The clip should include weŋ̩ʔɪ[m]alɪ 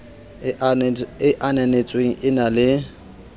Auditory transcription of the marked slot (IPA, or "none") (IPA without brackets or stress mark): n